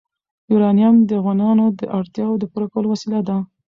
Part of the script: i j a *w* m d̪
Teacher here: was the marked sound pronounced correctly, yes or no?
no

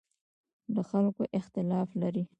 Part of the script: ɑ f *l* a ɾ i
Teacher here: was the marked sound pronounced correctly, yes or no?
yes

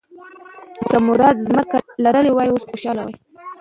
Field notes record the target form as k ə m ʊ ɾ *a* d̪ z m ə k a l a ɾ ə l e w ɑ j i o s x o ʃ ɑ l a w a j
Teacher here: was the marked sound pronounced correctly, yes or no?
no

